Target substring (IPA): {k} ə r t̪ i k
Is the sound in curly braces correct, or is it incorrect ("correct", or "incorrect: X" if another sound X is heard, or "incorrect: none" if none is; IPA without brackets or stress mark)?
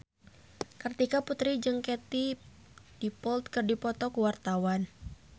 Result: correct